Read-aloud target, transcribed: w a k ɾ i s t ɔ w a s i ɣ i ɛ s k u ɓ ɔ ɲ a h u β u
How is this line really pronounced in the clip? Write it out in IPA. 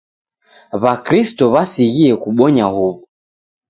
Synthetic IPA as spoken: β a k ɾ i s t ɔ β a s i ɣ i ɛ k u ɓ ɔ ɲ a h u β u